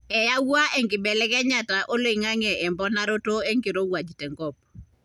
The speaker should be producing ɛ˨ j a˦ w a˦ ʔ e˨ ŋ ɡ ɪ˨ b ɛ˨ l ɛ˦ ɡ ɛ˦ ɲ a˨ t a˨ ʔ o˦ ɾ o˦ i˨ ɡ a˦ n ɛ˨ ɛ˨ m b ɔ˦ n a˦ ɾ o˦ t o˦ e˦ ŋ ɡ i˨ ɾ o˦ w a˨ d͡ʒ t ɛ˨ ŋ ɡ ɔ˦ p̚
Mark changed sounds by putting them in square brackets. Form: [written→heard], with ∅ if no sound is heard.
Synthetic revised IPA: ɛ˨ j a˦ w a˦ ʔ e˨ ŋ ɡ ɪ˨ b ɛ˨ l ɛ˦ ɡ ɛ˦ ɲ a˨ t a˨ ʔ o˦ [ɾ→l] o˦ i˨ [ɡ→ŋ] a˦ [n→ŋ] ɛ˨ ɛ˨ m b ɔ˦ n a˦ ɾ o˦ t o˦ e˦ ŋ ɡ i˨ ɾ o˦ w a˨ d͡ʒ t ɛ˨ ŋ ɡ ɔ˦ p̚

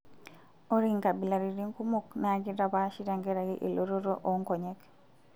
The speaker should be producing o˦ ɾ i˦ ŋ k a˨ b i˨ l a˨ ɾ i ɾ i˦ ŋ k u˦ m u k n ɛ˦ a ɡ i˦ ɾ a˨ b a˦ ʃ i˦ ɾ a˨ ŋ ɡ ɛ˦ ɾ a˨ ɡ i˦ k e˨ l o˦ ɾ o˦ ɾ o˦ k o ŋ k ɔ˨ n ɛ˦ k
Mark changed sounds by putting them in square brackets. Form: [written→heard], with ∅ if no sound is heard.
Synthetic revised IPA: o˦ ɾ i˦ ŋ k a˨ b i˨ l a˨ ɾ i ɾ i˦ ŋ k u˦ m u k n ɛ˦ a ɡ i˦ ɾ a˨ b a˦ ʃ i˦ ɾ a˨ ŋ ɡ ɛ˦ ɾ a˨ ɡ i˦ [k→ʔ] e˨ l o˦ ɾ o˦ ɾ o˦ [k→ʔ] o ŋ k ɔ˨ [n→ɲ] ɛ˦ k

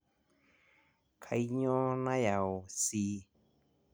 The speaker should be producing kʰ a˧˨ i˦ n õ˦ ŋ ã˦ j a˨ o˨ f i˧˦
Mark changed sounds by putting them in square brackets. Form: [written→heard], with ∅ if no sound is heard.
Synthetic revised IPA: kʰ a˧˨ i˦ [n→ɲ] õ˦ [ŋ→n] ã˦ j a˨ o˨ [f→s] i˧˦

